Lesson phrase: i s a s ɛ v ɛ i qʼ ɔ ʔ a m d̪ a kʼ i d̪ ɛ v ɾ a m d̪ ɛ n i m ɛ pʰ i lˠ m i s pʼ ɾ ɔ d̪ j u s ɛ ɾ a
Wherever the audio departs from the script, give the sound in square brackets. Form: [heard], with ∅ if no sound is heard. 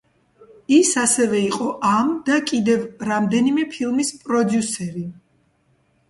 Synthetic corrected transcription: i s a s ɛ v ɛ i qʼ ɔ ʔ a m d̪ a kʼ i d̪ ɛ v ɾ a m d̪ ɛ n i m ɛ pʰ i lˠ m i s pʼ ɾ ɔ d̪ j u s ɛ ɾ [i]